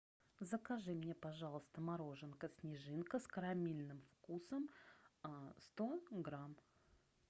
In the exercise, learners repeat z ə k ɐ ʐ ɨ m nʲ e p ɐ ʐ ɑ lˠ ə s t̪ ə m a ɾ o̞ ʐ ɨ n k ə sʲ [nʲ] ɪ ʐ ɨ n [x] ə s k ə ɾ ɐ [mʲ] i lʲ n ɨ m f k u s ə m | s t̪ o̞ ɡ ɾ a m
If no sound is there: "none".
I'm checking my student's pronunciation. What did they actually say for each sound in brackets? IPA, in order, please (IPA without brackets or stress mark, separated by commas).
nʲ, k, mʲ